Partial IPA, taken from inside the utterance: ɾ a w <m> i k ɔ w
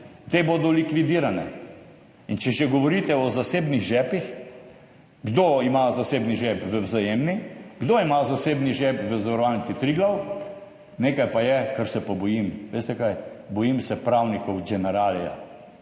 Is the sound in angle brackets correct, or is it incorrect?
incorrect